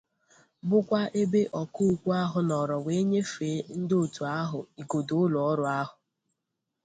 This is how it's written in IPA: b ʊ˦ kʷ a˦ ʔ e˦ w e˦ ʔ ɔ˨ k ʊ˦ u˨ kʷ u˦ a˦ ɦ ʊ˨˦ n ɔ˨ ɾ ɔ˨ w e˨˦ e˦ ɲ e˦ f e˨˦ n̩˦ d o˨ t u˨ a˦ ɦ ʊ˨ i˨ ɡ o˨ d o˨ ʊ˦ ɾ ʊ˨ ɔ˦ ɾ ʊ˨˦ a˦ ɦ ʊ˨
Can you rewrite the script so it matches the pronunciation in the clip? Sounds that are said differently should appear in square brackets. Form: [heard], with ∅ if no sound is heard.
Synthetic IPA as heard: b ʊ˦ kʷ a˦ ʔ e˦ [b] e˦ ʔ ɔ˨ k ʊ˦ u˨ kʷ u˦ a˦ ɦ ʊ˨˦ n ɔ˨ ɾ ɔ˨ w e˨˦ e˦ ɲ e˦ f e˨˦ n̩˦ d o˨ t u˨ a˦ ɦ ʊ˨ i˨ ɡ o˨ d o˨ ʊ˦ [l] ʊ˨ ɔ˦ ɾ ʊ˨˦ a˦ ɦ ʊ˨